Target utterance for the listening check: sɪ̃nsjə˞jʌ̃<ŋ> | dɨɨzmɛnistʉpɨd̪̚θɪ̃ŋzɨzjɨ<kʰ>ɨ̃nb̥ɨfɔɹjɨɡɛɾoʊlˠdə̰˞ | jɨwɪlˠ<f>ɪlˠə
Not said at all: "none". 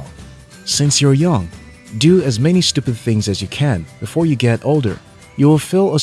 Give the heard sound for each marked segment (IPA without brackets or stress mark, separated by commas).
ŋ, kʰ, f